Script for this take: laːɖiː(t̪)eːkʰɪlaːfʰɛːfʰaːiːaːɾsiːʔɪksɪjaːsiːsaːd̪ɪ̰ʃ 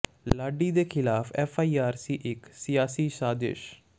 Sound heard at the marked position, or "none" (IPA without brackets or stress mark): d̪